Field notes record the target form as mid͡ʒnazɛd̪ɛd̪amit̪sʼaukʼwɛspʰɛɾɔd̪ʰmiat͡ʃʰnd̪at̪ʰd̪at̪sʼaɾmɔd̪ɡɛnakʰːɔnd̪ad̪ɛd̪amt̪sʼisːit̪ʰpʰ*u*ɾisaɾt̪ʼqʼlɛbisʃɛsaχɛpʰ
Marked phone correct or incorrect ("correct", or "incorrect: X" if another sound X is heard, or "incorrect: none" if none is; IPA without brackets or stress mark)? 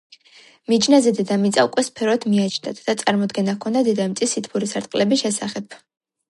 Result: correct